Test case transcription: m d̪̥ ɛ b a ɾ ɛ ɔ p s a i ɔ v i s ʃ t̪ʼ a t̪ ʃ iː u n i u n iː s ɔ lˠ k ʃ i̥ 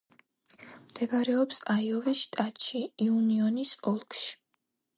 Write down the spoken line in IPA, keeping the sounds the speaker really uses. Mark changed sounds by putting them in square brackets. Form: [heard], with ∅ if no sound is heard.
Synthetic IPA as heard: m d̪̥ ɛ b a ɾ ɛ ɔ p s a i ɔ v i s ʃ t̪ʼ a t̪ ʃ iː u n i [ɔ] n [i] s ɔ lˠ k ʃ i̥